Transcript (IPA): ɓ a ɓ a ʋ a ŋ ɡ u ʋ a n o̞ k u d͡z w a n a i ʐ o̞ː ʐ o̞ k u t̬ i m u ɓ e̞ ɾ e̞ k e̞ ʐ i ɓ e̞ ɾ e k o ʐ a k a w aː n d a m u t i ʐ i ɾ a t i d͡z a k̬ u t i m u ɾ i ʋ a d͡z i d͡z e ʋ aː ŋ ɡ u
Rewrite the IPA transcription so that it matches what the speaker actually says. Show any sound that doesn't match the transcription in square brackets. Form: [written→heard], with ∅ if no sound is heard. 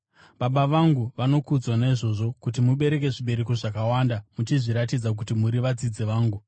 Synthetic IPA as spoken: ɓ a ɓ a ʋ a ŋ ɡ u ʋ a n o̞ k u d͡z w a n a i ʐ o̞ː ʐ o̞ k u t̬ i m u ɓ e̞ ɾ e̞ k e̞ ʐ i ɓ e̞ ɾ e k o ʐ a k a w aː n d a m u [t→t͡ʃ] i ʐ i ɾ a t i d͡z a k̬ u t i m u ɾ i ʋ a d͡z i d͡z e ʋ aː ŋ ɡ u